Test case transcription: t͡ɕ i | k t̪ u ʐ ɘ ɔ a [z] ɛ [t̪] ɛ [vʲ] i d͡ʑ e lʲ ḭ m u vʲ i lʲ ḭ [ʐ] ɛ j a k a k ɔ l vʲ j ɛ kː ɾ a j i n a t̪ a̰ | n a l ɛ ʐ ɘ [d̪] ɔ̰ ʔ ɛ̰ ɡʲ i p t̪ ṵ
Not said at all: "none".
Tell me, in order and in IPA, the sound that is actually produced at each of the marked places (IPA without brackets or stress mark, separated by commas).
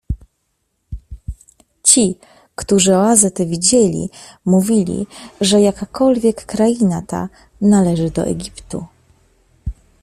z, t̪, vʲ, ʐ, d̪